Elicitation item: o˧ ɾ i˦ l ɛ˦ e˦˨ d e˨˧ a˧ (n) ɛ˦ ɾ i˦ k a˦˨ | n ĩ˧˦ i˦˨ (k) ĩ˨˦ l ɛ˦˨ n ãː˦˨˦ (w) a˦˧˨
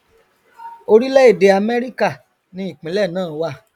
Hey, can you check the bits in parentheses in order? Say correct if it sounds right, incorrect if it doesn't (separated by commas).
incorrect, incorrect, correct